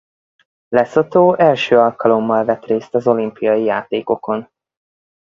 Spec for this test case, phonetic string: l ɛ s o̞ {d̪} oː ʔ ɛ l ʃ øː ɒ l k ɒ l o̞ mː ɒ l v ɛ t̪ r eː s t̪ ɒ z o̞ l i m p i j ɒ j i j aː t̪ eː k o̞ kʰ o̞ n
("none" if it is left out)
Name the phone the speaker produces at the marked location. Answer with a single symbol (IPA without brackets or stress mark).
t̪